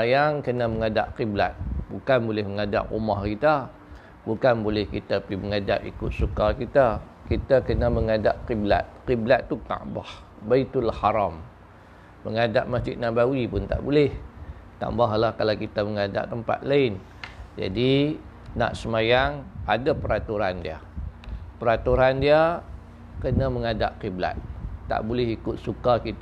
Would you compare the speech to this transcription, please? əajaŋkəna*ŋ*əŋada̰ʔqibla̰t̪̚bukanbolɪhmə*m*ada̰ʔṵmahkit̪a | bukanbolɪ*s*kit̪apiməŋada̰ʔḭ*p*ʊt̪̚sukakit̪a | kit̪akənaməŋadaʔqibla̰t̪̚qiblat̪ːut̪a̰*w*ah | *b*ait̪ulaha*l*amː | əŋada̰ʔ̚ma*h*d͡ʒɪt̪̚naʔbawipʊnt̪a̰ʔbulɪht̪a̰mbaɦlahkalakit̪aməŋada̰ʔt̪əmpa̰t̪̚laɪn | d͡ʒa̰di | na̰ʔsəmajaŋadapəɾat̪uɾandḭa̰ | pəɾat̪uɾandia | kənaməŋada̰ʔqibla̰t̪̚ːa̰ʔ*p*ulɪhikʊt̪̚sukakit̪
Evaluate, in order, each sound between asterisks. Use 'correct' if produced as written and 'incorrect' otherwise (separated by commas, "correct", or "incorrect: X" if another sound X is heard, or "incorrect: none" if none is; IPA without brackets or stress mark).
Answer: incorrect: m, incorrect: ŋ, incorrect: h, incorrect: k, incorrect: b, correct, incorrect: ɾ, incorrect: s, incorrect: b